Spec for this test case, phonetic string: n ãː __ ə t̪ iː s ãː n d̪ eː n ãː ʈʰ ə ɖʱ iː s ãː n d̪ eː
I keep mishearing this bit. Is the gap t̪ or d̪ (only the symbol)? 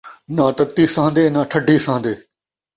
t̪